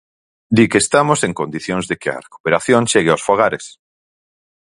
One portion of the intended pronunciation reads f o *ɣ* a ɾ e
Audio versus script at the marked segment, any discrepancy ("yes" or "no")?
no